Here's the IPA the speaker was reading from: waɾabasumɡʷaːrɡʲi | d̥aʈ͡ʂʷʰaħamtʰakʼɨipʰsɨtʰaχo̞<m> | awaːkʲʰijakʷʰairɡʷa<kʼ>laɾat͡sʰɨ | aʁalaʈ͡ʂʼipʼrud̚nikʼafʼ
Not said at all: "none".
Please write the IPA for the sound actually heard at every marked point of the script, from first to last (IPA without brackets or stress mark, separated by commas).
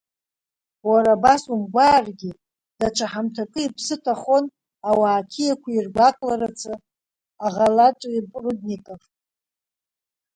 n, kʼ